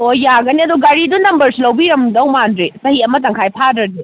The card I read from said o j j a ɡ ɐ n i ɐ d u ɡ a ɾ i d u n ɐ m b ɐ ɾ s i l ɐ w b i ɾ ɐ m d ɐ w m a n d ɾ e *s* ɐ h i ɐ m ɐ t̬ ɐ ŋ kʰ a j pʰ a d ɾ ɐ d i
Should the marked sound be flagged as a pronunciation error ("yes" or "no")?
no